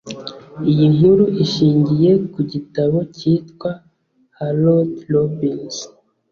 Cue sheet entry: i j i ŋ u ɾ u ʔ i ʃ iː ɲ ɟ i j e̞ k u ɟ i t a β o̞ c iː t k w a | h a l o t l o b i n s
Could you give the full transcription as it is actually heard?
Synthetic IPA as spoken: i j i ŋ u ɾ u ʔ i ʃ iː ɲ ɟ i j e̞ k u ɟ i t a β o̞ c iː t k w a | h a l o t l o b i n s